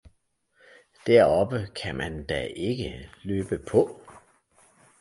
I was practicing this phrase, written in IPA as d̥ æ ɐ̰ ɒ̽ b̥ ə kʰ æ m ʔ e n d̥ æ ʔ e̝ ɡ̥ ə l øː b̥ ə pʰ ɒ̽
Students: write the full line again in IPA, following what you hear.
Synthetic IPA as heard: d̥ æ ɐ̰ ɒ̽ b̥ ə kʰ æ m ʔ æ n d̥ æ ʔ e̝ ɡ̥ ə l øː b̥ ə pʰ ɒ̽